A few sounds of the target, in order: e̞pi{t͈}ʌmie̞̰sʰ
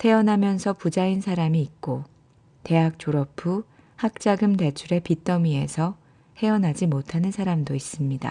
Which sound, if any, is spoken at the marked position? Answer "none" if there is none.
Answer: t͈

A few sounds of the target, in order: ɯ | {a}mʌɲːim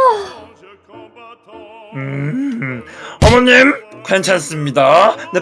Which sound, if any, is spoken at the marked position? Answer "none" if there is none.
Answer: ʌ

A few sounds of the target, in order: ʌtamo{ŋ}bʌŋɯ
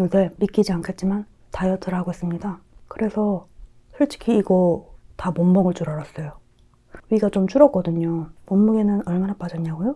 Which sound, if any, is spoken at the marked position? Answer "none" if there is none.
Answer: m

